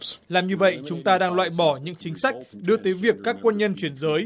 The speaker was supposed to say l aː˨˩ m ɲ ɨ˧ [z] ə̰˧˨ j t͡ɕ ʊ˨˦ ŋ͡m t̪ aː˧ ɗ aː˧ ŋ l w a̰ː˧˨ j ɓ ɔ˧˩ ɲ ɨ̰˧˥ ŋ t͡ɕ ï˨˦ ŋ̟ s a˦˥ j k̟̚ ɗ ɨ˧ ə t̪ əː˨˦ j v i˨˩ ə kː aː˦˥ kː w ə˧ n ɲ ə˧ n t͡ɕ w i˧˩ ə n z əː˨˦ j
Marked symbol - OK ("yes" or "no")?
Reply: no